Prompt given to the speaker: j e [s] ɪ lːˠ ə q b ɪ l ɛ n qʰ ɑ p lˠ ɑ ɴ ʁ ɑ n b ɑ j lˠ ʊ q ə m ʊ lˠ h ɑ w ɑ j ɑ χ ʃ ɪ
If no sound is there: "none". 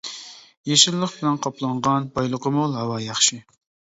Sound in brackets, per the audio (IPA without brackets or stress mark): ʃ